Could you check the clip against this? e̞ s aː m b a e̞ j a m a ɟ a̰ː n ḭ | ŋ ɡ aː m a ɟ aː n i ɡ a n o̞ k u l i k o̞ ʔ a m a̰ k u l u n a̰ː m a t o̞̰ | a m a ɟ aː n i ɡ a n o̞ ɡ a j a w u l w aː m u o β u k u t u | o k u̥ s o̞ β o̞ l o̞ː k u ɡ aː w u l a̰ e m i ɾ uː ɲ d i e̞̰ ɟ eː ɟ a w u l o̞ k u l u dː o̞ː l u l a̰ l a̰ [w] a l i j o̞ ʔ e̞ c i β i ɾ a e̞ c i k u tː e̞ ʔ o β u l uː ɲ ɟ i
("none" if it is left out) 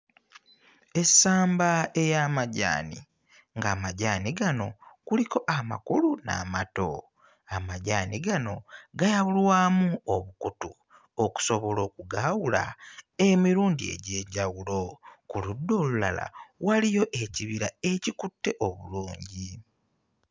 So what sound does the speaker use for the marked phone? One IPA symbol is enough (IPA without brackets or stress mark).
w